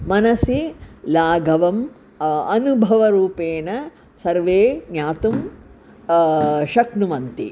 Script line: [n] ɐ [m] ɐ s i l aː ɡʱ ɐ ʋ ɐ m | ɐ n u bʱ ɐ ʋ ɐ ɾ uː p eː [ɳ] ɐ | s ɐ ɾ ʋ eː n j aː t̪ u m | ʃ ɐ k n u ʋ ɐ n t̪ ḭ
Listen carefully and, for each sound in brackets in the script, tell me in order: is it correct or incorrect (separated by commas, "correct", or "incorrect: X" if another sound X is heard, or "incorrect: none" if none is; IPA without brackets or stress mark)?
incorrect: m, incorrect: n, incorrect: n